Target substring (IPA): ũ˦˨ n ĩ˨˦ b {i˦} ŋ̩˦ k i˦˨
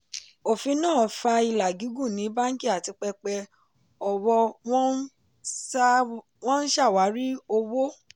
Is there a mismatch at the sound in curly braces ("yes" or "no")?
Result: yes